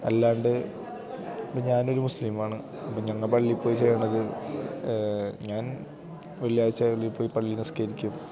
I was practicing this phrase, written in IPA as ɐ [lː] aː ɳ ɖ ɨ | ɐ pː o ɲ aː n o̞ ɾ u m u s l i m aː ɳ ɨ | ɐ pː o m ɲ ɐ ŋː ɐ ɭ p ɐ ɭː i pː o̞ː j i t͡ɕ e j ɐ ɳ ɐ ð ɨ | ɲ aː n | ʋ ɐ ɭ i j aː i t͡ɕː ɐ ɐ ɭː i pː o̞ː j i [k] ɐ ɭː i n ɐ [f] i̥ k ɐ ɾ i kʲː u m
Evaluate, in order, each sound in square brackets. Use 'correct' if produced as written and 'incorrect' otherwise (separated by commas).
correct, incorrect, incorrect